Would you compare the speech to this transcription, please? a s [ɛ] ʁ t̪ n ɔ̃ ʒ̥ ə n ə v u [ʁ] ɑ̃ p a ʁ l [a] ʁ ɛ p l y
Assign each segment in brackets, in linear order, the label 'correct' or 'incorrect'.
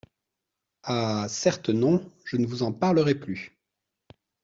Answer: correct, incorrect: z, incorrect: ə

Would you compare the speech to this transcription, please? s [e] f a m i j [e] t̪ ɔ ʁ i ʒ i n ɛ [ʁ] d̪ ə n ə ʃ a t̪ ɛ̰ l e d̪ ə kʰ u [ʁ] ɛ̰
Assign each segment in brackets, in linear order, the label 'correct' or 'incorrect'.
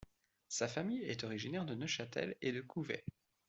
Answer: incorrect: a, incorrect: ɛ, correct, incorrect: v

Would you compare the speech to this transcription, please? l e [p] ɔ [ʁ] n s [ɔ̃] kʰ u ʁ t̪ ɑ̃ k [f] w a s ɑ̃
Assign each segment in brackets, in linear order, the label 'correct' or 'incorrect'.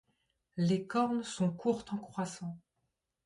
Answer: incorrect: k, correct, correct, incorrect: χ

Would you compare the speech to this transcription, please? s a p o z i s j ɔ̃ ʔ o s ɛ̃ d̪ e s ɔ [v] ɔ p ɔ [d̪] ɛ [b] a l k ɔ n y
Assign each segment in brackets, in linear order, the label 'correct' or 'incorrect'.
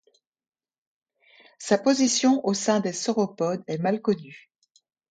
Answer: incorrect: ʁ, correct, incorrect: m

